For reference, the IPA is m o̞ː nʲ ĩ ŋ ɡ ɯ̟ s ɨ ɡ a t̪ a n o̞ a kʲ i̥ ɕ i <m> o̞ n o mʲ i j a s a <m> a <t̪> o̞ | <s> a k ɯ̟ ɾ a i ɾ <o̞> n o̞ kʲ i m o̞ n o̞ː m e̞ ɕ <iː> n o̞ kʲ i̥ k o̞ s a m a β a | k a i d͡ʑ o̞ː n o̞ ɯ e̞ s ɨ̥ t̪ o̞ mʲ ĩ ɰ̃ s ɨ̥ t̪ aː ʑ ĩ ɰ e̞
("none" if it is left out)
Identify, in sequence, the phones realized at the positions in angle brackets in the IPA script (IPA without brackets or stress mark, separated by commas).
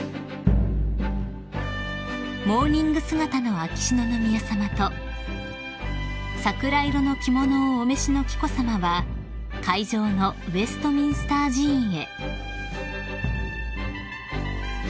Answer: n, m, t̪, s, o̞, i